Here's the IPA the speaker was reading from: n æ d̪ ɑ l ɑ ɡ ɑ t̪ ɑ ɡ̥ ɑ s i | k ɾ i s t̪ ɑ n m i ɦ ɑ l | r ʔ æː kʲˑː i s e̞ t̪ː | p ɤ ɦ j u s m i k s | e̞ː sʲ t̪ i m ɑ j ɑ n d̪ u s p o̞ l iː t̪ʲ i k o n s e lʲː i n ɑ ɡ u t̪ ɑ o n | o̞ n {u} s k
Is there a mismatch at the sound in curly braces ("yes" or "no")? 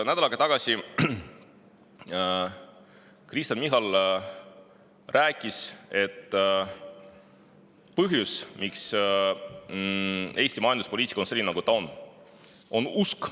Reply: no